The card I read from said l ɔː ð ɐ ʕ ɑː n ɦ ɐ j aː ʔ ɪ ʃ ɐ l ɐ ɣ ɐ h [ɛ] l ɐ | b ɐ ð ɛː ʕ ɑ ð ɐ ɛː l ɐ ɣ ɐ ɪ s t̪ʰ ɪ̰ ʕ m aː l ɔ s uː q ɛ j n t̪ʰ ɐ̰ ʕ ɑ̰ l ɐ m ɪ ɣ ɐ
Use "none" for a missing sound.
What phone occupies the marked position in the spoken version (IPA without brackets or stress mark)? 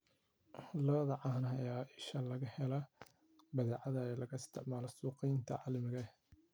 ɛ